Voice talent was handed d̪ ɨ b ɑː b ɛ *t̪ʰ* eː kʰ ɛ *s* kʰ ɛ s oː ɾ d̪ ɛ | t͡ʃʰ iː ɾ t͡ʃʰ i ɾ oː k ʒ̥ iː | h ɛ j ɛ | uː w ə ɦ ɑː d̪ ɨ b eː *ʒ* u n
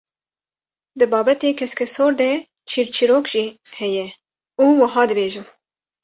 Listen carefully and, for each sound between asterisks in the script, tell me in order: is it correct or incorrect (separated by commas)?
incorrect, correct, correct